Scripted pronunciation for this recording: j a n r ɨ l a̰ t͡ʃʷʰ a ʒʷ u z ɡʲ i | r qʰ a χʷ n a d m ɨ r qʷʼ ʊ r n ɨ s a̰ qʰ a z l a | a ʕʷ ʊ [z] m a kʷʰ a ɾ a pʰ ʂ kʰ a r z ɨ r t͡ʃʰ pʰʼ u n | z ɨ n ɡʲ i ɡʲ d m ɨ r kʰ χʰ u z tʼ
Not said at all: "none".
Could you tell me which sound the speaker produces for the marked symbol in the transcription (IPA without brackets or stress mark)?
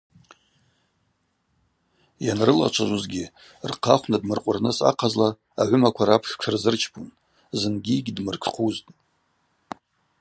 none